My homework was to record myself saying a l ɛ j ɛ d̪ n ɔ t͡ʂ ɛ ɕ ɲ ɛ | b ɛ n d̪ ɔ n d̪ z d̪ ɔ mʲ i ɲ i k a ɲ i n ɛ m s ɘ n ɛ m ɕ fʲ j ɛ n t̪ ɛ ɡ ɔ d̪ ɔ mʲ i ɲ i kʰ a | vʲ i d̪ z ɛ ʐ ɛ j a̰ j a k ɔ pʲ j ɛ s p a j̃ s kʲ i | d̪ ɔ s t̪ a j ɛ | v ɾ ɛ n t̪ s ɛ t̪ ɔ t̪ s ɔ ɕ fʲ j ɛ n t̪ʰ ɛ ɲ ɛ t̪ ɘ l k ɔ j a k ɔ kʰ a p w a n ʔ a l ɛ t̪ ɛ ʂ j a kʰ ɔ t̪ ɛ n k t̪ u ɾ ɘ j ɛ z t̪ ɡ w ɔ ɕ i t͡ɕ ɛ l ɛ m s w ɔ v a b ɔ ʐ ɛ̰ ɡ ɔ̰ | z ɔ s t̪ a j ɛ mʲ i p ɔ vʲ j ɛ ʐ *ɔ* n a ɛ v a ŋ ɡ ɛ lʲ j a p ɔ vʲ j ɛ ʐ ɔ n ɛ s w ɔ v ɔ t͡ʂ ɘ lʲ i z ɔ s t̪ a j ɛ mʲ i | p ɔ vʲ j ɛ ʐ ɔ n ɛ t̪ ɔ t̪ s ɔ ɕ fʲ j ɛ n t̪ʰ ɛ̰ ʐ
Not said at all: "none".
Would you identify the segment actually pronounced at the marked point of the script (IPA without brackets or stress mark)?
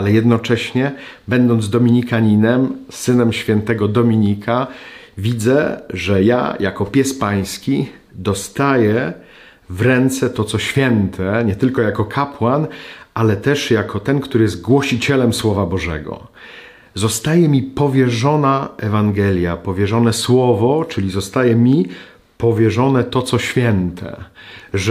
ɔ